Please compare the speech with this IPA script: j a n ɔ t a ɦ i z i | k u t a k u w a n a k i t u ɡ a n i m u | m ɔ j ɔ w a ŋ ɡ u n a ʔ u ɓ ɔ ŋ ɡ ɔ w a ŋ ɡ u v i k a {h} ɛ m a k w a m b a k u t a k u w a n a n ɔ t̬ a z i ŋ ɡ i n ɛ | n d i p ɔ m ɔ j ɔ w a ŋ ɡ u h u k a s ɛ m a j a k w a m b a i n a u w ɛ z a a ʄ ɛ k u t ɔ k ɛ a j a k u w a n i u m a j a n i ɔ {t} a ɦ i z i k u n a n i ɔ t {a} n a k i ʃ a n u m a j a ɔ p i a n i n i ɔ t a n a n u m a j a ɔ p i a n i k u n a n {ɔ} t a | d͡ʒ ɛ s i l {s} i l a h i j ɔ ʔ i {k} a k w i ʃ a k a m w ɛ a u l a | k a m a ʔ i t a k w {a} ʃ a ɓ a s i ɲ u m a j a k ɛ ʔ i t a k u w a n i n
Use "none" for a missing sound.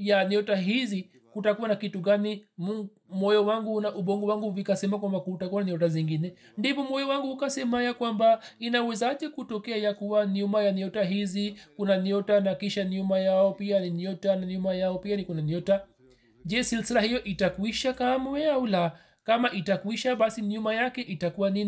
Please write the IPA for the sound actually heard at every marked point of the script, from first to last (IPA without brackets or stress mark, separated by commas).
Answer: s, t, a, ɔ, s, t, i